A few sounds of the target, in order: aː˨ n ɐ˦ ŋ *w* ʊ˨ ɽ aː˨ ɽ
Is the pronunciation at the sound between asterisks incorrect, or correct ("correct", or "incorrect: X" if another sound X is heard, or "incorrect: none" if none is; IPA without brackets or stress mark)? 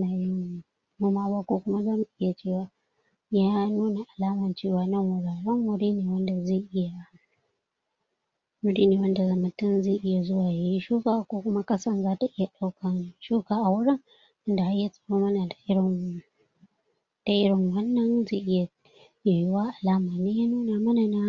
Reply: correct